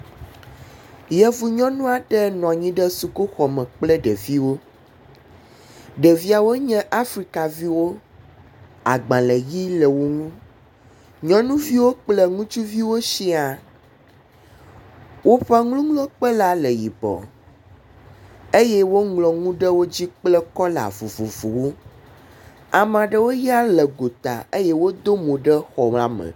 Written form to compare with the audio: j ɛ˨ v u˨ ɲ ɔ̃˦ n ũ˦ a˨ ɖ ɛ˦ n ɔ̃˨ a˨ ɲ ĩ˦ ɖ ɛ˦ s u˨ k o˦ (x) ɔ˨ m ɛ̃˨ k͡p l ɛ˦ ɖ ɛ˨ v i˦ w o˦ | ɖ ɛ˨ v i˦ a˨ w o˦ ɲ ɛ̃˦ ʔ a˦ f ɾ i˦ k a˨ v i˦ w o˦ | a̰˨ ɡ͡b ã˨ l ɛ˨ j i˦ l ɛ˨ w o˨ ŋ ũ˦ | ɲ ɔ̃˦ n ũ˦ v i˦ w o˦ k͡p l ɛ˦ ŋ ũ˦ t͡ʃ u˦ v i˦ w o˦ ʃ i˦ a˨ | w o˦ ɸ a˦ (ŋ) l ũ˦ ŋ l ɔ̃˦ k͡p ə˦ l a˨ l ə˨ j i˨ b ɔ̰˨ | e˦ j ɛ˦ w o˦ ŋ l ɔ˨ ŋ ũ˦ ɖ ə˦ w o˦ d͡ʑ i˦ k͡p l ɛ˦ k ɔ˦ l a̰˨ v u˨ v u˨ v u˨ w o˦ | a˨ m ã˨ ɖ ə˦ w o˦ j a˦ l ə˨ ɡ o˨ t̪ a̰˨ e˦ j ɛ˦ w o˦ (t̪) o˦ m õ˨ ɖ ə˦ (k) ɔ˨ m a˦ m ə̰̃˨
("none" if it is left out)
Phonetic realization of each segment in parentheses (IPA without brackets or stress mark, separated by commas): x, ŋ, d̪, x